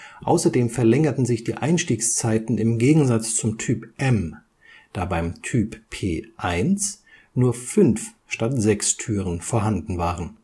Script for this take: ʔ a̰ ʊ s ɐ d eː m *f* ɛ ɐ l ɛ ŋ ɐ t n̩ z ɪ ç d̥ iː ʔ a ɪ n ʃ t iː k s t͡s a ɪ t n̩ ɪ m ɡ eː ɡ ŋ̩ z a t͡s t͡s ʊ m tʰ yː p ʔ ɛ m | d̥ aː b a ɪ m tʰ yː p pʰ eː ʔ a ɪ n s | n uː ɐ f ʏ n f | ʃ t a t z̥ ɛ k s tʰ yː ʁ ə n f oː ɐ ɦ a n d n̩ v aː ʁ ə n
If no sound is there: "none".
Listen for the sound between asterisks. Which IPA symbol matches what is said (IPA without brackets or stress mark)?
f